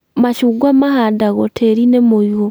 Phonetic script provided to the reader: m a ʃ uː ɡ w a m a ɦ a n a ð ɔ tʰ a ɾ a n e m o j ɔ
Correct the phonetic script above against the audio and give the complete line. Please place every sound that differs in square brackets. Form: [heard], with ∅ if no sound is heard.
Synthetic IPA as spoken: m a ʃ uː ɡ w a m a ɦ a [d] a [ɣ] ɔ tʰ [e] ɾ [i] n e m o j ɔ